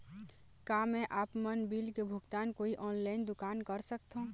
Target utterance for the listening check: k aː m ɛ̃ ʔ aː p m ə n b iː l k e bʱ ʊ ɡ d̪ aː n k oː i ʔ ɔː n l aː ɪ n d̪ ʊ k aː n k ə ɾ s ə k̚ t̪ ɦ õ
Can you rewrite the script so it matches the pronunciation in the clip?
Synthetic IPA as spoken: k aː m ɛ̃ ʔ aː p m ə n b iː l k e bʱ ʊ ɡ t̪ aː n k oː i ʔ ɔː n l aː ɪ n d̪ ʊ k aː n k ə ɾ s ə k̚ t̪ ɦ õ